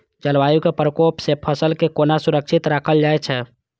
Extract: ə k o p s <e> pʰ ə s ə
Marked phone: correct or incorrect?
correct